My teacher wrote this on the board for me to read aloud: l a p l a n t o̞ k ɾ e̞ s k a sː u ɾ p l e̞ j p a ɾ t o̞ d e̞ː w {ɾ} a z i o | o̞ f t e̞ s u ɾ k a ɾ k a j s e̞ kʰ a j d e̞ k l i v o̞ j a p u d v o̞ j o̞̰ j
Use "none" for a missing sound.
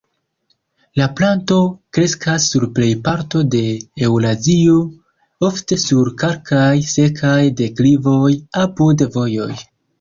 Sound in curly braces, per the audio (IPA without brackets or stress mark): l